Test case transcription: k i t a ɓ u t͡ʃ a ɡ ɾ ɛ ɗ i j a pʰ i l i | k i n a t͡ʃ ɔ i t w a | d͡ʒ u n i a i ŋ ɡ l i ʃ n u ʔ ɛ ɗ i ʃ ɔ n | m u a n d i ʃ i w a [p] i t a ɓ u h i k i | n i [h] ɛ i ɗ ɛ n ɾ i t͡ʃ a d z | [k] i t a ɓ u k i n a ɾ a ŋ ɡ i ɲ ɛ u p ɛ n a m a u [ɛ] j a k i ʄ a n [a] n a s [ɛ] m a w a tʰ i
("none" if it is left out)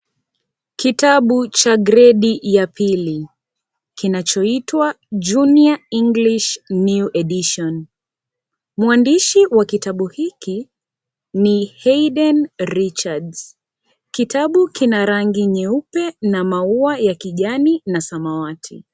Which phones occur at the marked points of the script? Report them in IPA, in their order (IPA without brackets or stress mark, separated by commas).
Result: k, h, k, a, i, a